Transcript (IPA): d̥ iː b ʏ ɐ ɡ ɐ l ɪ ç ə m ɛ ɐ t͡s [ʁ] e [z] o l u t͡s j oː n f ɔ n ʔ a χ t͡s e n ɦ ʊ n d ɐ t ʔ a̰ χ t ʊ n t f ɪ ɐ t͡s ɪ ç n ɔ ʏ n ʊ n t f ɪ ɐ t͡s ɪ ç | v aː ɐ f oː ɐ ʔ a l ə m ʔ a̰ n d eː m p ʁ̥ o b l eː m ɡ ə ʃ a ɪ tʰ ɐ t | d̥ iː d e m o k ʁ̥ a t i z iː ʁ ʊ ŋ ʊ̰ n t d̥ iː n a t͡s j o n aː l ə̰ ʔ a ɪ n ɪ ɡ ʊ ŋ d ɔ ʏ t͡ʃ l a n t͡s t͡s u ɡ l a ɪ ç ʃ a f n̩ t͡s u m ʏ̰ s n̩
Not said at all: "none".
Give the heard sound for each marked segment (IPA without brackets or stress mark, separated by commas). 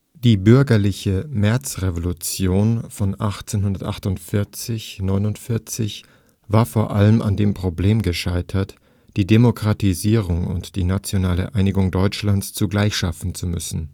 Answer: ʁ, v